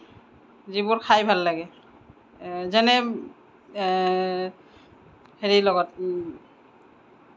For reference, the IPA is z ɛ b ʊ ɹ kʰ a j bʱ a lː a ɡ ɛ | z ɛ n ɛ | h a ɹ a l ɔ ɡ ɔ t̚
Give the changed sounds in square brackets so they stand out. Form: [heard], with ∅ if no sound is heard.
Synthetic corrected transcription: z [i] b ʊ ɹ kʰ a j bʱ a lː a ɡ ɛ | z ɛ n ɛ | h [e] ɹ [i] l ɔ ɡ ɔ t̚